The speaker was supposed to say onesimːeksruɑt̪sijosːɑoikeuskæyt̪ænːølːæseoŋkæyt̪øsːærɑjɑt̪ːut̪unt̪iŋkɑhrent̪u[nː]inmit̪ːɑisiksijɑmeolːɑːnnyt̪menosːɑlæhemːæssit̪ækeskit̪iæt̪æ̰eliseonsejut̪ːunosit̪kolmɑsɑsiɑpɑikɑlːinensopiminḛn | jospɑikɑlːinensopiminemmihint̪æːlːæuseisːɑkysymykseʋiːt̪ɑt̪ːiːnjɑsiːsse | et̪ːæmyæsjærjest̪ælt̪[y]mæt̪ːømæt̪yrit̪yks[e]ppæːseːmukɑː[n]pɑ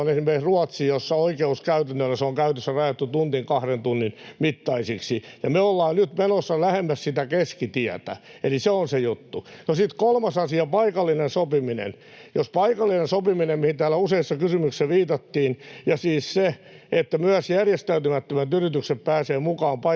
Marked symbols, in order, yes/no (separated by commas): yes, yes, yes, no